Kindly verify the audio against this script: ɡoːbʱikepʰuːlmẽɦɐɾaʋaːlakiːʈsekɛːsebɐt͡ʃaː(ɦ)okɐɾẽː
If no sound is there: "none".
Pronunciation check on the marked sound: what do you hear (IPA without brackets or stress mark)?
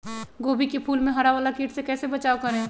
none